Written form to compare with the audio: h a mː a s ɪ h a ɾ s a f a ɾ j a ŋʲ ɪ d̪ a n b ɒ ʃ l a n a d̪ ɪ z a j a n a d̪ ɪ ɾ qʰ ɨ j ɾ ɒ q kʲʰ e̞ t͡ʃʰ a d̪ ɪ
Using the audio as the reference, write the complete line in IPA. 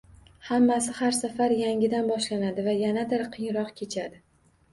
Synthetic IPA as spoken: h a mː a s ɪ h a ɾ s a f a ɾ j a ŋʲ ɪ d̪ a n b ɒ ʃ l a n a d̪ ɪ v a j a n a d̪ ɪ ɾ qʰ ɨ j ɾ ɒ q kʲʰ e̞ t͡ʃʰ a d̪ ɪ

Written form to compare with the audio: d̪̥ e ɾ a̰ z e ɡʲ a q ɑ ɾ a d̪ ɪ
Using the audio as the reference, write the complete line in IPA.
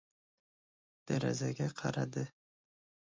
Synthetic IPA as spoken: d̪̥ a ɾ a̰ z a ɡʲ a qʰ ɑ ɾ a d̪ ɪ

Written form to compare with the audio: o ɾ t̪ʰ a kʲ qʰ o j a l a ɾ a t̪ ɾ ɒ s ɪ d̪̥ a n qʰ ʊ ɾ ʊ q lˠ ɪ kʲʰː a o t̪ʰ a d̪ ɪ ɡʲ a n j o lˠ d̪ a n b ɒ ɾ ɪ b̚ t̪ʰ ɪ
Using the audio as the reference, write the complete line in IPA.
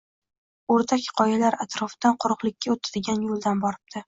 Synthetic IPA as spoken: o ɾ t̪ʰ a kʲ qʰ ɒ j a l a ɾ a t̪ ɾ ɒ f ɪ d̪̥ a n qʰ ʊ ɾ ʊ q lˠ ɪ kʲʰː a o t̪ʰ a d̪ ɪ ɡʲ a n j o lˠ d̪ a n b ɒ ɾ ɪ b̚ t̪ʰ ɪ

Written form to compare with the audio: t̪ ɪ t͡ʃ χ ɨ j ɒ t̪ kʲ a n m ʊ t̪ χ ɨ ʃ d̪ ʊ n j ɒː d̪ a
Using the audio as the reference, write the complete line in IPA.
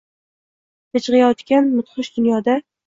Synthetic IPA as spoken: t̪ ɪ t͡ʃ ʁ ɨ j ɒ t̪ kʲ a n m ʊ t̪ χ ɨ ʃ d̪ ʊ n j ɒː d̪ a

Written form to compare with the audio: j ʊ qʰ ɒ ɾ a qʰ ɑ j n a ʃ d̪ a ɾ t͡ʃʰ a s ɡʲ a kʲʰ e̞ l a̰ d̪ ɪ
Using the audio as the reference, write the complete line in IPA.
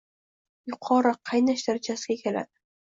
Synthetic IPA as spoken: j ʊ qʰ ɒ ɾ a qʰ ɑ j n a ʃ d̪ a ɾ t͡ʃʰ a s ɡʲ a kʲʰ e̞ l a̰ d̪ ɪ

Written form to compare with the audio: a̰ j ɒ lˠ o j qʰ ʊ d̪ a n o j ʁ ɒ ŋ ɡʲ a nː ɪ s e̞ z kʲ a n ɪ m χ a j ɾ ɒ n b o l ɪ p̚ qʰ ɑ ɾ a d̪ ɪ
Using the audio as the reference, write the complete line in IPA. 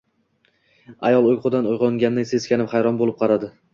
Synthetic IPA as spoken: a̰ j ɒ lˠ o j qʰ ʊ d̪ a n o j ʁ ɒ ŋ ɡʲ a nː ɪ s e̞ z kʲ a n ɪ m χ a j ɾ ɒ n b o l ɪ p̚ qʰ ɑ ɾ a d̪ ɪ

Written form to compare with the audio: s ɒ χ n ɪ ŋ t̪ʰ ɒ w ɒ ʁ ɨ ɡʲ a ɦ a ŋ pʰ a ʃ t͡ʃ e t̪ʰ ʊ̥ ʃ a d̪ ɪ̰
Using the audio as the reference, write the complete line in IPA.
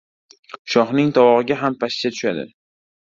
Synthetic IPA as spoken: ʃ ɒ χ n ɪ ŋ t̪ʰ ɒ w ɒ ʁ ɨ ɡʲ a ɦ a m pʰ a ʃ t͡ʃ a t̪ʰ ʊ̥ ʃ a d̪ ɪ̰

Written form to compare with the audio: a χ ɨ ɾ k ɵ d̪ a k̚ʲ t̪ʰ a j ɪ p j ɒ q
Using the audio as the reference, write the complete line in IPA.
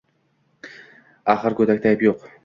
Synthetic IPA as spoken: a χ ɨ ɾ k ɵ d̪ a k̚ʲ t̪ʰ a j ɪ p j o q

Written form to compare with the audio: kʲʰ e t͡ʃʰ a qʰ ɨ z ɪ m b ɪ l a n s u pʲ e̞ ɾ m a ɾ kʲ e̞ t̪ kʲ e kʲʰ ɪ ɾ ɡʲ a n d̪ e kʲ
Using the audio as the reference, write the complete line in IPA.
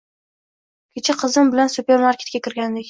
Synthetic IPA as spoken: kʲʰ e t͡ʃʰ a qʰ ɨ z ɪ m b ɪ l a n s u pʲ e̞ ɾ m a ɾ kʲ e̞ t̪ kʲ a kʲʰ ɪ ɾ ɡʲ a n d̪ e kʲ

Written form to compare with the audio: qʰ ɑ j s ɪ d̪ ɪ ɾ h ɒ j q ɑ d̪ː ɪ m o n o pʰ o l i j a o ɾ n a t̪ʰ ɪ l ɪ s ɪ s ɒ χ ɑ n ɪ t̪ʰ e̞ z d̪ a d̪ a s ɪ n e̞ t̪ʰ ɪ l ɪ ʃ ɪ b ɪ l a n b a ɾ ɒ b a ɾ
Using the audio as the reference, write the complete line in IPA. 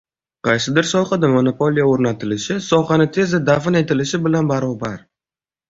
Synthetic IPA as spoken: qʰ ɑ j s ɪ d̪ ɪ ɾ s ɒ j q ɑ d̪ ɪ m o n o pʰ o l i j a o ɾ n a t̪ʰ ɪ l ɪ ʃ ɪ s ɒ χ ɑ n ɪ t̪ʰ e̞ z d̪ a d̪ a f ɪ n e̞ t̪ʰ ɪ l ɪ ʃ ɪ b ɪ l a n b a ɾ ɒ b a ɾ

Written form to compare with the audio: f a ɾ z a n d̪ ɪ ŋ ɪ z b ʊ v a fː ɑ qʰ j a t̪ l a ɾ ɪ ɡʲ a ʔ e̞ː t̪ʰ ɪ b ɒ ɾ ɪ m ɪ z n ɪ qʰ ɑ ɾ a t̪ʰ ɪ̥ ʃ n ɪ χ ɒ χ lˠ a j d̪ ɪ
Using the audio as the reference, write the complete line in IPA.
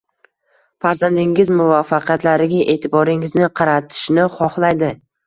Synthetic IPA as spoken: f a ɾ z a n d̪ ɪ ŋ ɪ z m ʊ v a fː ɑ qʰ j a t̪ l a ɾ ɪ ɡʲ a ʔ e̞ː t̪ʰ ɪ b ɒ ɾ ɪ ŋ ɪ z n ɪ qʰ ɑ ɾ a t̪ʰ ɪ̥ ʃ n ɪ χ ɒ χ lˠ a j d̪ ɪ

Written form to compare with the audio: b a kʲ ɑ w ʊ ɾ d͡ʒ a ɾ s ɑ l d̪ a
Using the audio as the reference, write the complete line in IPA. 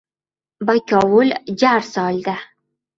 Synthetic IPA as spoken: b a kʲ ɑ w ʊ l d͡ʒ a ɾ s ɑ l d̪ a

